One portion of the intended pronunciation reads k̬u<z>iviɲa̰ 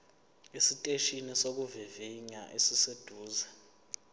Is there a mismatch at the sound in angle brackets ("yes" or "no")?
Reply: yes